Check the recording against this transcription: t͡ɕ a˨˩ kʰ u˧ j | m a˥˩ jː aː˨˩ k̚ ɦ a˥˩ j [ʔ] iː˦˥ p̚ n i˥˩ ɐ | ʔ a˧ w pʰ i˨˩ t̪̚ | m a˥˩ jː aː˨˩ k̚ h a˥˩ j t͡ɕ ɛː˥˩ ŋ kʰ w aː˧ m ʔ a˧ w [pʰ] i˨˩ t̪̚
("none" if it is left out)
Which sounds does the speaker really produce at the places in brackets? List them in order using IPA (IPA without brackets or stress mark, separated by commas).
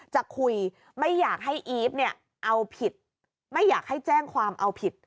ʔ, pʰ